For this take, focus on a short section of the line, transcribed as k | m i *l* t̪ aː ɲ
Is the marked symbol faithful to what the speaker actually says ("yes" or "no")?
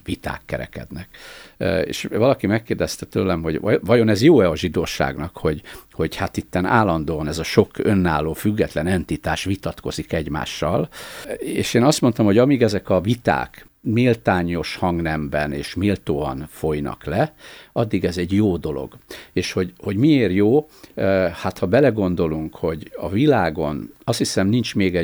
yes